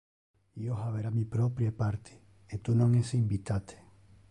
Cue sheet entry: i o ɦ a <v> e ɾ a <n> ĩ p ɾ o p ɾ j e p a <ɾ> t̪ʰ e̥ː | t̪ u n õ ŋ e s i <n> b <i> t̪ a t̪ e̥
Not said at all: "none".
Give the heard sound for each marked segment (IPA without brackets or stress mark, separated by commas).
β, m, ɾ, m, i